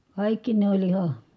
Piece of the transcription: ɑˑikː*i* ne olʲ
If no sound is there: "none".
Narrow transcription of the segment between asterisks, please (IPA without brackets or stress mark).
i